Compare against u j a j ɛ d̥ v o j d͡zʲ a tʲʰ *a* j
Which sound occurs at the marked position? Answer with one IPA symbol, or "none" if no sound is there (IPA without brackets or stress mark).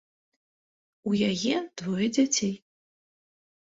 e